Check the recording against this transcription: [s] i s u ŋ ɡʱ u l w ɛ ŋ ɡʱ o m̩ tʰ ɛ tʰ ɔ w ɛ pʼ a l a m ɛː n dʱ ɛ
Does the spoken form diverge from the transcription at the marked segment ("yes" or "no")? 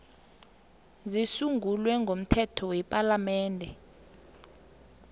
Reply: yes